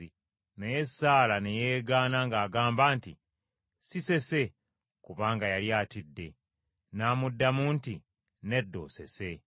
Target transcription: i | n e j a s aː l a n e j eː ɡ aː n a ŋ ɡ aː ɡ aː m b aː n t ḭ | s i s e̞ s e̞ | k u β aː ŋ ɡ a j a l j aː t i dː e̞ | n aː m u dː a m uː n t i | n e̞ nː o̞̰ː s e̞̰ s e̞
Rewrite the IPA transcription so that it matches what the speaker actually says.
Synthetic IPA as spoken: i | n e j e s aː l a n e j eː ɡ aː n a ŋ ɡ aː ɡ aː m b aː n t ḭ | s i s e̞ s e̞ | k u β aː ŋ ɡ a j a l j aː t i dː e̞ | n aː m u dː a m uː n t i | n e̞ dː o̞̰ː s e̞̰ s e̞